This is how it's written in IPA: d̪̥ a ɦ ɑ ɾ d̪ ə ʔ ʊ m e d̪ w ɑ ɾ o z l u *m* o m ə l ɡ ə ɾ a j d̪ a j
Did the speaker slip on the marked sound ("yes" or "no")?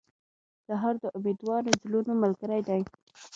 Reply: yes